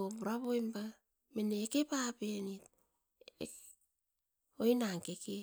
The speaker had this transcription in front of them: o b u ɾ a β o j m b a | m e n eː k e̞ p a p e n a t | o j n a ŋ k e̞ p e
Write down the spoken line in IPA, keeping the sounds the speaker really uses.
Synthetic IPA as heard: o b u ɾ a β o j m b a | m e n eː k e̞ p a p e n i t | o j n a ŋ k e̞ k e